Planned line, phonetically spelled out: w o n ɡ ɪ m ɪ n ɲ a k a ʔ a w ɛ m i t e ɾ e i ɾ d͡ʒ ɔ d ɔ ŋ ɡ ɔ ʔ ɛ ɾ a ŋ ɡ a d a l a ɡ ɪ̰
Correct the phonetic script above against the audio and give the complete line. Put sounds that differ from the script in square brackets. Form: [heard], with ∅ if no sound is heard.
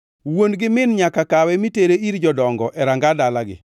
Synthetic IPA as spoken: w o n ɡ ɪ m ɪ n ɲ a k a [k] a w ɛ m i t e ɾ e i ɾ d͡ʒ ɔ d ɔ ŋ ɡ ɔ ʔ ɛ ɾ a ŋ ɡ a d a l a ɡ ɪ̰